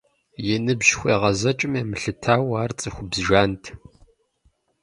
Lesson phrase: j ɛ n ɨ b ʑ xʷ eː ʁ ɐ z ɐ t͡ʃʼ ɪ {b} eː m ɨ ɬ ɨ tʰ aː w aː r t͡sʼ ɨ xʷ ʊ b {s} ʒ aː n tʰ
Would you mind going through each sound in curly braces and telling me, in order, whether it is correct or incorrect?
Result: incorrect: m, incorrect: z

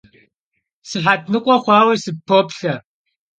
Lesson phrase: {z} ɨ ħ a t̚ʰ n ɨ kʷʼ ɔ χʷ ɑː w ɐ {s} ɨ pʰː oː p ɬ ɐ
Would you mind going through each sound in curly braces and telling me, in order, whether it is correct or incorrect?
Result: incorrect: s, correct

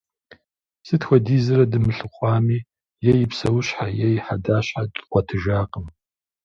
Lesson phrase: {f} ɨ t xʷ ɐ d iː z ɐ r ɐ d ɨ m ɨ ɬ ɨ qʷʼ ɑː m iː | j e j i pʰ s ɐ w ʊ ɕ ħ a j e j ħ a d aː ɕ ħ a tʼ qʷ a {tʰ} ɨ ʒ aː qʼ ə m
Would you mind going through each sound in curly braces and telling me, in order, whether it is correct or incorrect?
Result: incorrect: s, correct

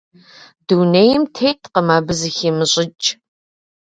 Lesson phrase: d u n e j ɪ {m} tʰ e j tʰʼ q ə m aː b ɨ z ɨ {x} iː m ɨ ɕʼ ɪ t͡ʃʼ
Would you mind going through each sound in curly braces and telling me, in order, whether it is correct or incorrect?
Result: correct, correct

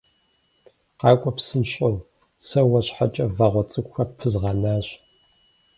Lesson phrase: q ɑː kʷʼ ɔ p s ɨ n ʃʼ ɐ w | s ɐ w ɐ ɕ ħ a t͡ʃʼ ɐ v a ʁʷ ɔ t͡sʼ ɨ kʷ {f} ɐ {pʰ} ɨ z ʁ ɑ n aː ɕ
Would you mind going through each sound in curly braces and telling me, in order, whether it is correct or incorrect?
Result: incorrect: x, correct

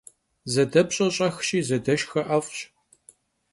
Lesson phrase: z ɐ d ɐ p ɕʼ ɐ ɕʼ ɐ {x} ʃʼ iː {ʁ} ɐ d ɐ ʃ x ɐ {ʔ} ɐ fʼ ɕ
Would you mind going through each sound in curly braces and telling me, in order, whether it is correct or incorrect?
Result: correct, incorrect: z, correct

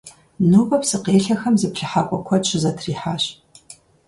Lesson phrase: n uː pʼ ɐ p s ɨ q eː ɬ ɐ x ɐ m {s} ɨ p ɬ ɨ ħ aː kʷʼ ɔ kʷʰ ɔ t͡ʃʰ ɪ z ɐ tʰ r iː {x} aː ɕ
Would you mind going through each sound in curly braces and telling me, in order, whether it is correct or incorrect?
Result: incorrect: z, incorrect: ħ

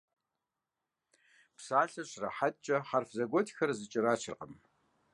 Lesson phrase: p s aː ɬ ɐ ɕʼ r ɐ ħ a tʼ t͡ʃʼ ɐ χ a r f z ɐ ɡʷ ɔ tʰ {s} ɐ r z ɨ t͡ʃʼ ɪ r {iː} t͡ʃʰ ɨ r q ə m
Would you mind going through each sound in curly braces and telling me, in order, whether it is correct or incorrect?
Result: incorrect: x, incorrect: aː

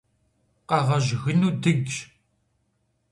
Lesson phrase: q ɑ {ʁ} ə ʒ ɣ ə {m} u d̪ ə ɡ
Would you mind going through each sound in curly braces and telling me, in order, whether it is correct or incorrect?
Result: correct, incorrect: n

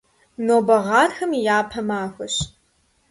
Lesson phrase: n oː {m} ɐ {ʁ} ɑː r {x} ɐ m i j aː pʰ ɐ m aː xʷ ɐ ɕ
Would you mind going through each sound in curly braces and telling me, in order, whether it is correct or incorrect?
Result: incorrect: b, correct, correct

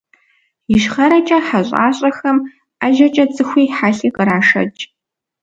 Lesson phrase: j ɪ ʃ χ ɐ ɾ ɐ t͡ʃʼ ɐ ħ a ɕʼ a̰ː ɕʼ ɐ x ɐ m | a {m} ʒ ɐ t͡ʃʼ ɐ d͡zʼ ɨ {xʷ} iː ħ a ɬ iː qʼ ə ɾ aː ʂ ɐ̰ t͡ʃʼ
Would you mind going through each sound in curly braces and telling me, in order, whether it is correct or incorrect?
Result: incorrect: none, correct

